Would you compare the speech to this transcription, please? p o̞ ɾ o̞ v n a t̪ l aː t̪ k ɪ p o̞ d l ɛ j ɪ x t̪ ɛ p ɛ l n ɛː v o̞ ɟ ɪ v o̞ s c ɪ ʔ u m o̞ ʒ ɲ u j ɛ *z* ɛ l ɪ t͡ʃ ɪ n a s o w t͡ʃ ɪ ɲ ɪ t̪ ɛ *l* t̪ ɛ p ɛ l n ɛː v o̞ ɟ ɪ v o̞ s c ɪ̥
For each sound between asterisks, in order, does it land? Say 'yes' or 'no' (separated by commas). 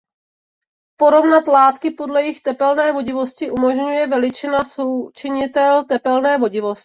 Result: no, yes